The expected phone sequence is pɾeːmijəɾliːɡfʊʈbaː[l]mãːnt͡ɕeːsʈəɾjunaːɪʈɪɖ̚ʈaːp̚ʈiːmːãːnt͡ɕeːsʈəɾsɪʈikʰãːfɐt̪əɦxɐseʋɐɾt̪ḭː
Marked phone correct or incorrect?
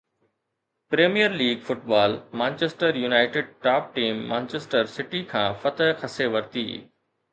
correct